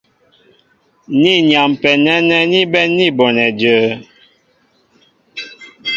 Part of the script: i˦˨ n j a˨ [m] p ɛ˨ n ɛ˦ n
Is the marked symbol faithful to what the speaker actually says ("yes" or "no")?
yes